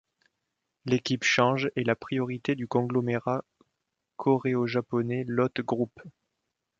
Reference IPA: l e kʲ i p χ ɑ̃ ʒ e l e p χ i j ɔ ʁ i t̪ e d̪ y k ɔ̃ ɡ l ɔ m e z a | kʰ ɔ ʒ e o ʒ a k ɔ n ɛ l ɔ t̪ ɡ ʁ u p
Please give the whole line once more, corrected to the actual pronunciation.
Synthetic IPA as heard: l e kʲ i p ʃ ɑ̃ ʒ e l a p χ i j ɔ ʁ i t̪ e d̪ y k ɔ̃ ɡ l ɔ m e ʁ a | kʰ ɔ ʁ e o ʒ a p ɔ n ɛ l ɔ t̪ ɡ ʁ u p